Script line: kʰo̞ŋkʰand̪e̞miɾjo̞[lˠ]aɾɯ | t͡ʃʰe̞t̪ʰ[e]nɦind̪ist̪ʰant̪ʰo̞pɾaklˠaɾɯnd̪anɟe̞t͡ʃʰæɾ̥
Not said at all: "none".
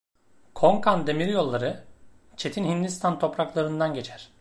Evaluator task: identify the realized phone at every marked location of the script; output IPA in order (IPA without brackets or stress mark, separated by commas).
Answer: lˠː, i